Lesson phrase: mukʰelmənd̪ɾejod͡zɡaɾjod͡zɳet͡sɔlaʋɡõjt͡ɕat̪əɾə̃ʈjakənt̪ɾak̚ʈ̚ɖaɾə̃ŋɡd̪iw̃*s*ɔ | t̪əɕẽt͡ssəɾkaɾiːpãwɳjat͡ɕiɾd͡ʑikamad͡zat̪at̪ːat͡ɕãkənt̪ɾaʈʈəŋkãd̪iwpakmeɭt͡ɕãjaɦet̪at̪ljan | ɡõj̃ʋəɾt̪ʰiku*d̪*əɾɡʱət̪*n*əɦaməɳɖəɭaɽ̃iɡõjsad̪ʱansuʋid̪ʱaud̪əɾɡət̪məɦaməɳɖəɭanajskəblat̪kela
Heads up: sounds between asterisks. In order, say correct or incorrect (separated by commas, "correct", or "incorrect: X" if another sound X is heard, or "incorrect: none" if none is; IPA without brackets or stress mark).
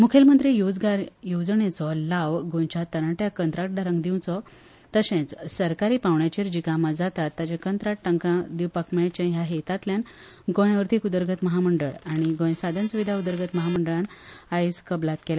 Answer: incorrect: t͡s, correct, incorrect: m